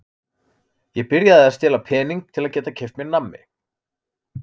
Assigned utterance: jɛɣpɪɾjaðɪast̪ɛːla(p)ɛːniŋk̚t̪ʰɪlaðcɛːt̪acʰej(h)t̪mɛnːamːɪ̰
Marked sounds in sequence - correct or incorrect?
incorrect: pʰ, incorrect: f

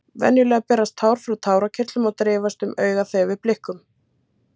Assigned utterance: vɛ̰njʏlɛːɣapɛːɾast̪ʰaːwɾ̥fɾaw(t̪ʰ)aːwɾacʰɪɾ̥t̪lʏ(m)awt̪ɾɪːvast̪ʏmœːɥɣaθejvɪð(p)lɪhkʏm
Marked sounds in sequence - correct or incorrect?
correct, correct, correct

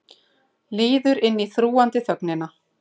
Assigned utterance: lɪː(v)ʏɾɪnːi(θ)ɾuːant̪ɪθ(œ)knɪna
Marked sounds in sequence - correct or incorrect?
incorrect: ð, correct, correct

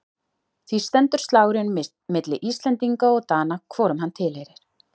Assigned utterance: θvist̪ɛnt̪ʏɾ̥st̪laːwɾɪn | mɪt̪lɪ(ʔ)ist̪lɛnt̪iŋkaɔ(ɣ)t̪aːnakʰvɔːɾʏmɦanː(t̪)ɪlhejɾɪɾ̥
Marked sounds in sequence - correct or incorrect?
correct, correct, incorrect: t̪ʰ

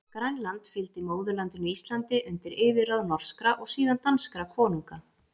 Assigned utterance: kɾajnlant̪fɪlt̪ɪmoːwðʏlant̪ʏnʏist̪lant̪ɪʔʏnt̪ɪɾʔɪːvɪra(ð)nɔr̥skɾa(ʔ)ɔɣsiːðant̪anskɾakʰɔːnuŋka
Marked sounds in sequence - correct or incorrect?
correct, correct

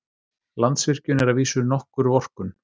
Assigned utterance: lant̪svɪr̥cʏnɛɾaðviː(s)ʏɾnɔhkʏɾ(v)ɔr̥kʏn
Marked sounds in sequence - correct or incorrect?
correct, correct

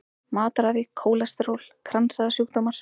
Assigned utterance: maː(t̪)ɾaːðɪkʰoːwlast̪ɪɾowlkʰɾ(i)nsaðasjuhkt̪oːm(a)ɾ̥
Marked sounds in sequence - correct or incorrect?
correct, incorrect: a, correct

